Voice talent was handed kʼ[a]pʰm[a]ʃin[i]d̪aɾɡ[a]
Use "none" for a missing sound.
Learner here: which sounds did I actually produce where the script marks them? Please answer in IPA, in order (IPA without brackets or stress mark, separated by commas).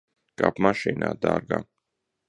a, a, a, a